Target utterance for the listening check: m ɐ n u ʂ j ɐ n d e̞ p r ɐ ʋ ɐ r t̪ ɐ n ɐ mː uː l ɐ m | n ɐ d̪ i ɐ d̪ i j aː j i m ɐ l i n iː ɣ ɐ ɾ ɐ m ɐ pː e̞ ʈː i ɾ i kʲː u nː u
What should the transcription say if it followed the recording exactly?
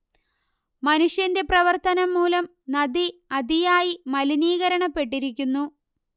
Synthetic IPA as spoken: m ɐ n u ʂ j ɐ n d e̞ p r ɐ ʋ ɐ r t̪ ɐ n ɐ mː uː l ɐ m | n ɐ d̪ i ɐ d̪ i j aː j i m ɐ l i n iː ɣ ɐ ɾ ɐ ɳ ɐ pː e̞ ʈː i ɾ i kʲː u nː u